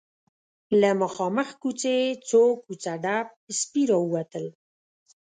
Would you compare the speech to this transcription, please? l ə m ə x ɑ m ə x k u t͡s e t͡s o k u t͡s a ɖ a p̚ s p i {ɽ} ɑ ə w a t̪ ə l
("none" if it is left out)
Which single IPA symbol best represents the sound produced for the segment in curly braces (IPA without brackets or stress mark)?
ɾ